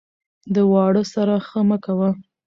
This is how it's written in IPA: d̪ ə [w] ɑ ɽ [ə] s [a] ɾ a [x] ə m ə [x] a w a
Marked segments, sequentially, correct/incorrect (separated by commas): correct, correct, correct, correct, incorrect